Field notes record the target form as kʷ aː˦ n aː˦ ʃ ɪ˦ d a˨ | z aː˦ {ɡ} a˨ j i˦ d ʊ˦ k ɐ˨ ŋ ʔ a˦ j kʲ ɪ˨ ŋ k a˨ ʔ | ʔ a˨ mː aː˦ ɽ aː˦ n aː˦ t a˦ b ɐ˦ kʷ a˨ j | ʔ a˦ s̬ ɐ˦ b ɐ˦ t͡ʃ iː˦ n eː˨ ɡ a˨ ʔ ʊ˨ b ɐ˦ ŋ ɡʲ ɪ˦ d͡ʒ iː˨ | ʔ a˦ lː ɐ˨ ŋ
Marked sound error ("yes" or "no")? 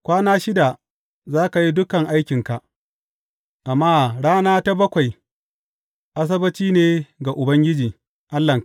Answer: yes